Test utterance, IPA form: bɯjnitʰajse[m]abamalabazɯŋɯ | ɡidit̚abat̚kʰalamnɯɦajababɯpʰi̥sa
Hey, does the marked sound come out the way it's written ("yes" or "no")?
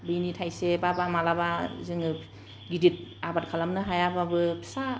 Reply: no